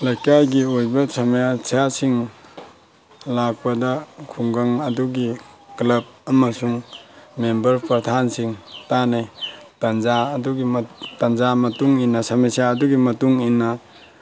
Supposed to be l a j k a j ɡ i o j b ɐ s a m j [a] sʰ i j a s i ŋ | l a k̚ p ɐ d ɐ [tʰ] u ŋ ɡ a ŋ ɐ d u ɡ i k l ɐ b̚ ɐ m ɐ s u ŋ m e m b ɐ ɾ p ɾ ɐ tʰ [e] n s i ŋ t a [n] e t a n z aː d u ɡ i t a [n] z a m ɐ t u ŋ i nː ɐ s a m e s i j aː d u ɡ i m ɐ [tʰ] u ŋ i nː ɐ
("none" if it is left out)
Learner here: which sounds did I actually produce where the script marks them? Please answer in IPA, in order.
a, kʰ, a, n, n, t

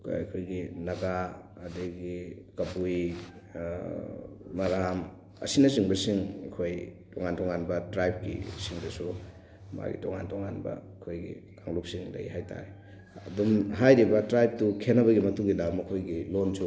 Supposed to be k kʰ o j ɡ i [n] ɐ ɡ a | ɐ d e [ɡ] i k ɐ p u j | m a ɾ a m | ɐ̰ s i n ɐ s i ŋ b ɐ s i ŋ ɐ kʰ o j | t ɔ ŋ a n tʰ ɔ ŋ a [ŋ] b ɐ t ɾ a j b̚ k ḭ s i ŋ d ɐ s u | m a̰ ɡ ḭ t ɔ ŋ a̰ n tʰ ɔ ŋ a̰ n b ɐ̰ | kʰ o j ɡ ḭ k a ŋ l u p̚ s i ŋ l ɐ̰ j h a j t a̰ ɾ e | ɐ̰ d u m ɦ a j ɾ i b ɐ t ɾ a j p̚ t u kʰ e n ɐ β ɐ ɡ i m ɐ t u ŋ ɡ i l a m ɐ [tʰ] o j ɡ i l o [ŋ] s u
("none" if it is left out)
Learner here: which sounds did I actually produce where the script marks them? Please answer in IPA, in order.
n, ɡ, n, kʰ, n

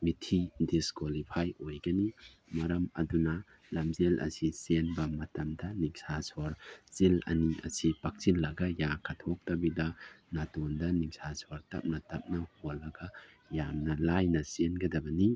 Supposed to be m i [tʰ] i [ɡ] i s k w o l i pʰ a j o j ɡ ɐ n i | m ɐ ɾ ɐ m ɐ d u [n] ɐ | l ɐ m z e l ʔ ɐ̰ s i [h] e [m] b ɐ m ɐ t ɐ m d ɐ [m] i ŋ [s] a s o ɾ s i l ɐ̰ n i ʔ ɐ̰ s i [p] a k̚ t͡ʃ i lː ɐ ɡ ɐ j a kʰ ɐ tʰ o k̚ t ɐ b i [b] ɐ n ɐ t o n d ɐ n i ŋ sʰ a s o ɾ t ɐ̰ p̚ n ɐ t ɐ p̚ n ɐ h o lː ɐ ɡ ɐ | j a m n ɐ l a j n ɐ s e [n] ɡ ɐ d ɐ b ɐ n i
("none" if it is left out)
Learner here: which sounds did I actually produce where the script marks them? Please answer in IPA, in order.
tʰ, d, n, s, n, n, s, p, d, n

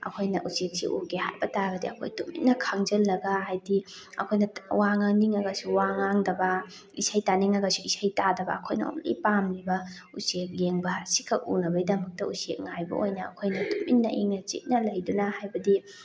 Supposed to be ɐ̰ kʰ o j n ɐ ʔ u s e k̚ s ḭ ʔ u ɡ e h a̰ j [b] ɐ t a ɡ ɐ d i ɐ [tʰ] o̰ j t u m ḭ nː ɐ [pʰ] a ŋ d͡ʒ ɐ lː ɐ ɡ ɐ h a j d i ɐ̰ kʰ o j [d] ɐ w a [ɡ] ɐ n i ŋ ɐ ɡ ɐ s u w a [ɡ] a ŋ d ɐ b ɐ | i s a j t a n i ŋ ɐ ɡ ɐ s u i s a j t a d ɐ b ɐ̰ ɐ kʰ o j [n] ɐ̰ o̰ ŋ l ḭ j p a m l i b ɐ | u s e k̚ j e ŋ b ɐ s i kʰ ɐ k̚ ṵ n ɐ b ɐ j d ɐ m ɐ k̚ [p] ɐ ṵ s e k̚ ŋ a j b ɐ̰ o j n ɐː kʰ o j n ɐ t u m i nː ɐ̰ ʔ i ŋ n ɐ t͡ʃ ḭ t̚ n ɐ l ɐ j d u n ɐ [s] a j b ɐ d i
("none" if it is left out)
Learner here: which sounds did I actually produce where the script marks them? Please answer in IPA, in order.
b, kʰ, kʰ, n, ŋ, ŋ, n, t, h

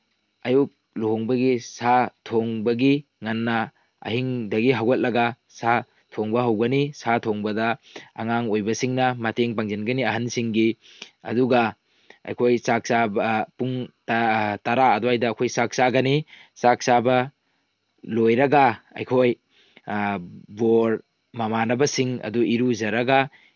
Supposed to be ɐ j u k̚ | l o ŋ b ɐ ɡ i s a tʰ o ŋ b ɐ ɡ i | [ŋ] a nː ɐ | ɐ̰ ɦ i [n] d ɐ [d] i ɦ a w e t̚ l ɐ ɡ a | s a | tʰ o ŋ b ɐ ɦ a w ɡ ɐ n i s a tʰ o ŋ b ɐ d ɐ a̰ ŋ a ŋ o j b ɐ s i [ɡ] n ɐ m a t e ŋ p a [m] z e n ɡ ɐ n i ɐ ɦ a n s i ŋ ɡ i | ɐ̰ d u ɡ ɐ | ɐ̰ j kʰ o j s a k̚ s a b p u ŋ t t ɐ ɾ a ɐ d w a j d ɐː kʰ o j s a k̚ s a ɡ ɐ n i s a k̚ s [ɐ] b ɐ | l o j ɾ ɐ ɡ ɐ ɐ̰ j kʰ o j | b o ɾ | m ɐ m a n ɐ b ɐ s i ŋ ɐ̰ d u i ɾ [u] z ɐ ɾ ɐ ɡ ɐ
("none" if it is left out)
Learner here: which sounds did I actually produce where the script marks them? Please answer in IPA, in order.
ŋ, ŋ, ɡ, ŋ, ŋ, a, u

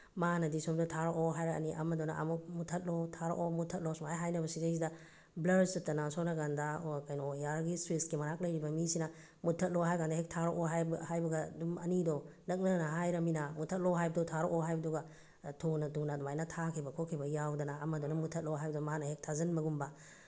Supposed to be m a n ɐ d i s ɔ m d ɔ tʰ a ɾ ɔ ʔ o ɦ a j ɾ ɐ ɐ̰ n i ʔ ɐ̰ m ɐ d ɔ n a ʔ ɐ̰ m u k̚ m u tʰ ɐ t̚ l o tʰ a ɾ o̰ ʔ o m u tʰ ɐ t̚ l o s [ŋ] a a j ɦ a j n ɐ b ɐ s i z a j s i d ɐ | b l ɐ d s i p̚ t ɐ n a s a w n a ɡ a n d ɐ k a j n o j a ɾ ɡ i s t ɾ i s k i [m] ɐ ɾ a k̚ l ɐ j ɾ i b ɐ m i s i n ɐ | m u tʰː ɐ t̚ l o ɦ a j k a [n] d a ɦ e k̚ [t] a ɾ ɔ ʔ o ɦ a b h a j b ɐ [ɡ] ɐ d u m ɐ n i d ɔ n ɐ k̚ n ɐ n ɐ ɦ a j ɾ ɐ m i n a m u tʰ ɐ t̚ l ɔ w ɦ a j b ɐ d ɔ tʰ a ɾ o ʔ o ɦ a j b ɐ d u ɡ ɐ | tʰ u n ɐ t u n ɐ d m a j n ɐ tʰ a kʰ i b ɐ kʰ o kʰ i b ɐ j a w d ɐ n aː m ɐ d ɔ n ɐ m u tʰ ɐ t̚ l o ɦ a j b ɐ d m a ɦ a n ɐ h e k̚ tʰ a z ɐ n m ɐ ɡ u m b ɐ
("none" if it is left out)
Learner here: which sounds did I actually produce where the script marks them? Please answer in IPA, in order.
m, m, n, tʰ, ɡ

